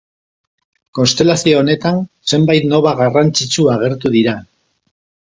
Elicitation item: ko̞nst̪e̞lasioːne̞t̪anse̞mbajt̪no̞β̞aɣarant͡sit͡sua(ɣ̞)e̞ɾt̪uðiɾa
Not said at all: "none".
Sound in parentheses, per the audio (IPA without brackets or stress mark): ɣ̞